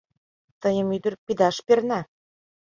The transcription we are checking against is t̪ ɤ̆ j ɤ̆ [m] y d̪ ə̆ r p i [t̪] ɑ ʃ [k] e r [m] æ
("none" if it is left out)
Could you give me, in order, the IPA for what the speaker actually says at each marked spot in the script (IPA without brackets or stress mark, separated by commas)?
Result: m, d̪, p, n